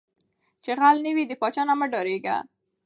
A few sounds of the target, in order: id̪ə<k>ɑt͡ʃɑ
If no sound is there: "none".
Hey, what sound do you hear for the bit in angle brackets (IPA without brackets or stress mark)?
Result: p